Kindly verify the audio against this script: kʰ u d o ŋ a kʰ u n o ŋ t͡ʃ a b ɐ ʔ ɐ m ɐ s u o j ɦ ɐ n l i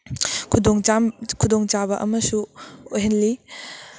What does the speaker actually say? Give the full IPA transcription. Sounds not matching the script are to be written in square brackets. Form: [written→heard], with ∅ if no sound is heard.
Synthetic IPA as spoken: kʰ u d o ŋ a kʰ u [n→d] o ŋ t͡ʃ a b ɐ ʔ ɐ m ɐ s u o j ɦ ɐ n l i